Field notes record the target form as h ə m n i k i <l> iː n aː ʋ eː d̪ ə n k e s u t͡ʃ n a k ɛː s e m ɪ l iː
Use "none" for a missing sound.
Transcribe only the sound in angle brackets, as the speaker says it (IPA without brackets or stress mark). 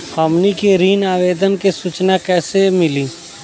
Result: ɾ